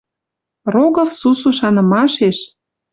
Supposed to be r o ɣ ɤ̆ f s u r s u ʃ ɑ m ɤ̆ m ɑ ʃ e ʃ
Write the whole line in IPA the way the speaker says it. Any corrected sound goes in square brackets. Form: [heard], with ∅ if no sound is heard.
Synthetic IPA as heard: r o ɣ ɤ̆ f s u [∅] s u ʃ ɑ [n] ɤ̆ m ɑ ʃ e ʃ